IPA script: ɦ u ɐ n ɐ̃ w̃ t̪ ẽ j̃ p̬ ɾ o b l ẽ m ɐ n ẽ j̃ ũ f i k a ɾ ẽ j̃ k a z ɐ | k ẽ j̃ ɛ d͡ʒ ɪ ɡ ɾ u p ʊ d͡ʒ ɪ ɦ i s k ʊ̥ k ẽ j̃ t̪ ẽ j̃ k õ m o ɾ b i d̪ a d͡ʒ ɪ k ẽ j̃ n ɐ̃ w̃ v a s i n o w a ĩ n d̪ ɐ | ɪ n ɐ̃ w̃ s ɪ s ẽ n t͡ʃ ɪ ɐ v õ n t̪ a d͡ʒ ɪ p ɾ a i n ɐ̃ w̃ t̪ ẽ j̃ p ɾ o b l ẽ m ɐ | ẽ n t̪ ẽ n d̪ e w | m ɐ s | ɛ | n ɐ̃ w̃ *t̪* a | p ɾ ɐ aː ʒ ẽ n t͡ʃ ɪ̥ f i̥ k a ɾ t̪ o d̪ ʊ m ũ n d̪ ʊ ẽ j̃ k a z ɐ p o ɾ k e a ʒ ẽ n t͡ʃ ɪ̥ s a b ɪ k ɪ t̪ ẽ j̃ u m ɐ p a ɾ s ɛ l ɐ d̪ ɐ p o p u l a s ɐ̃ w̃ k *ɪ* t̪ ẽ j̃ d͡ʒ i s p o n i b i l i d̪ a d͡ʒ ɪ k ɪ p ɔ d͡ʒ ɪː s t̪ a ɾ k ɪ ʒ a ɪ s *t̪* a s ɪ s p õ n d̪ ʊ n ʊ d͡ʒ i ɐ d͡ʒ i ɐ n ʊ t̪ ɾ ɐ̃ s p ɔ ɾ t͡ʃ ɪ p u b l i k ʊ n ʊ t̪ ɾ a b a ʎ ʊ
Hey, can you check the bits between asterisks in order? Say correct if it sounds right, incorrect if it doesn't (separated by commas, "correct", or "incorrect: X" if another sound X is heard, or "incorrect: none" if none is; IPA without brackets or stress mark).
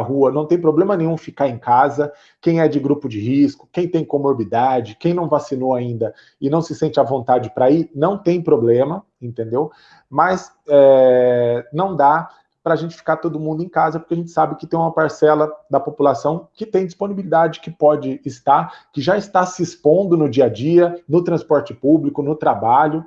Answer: incorrect: d̪, correct, correct